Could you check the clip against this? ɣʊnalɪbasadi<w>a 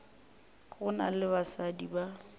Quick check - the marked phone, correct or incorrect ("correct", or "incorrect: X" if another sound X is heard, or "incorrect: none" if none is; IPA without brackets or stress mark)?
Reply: incorrect: b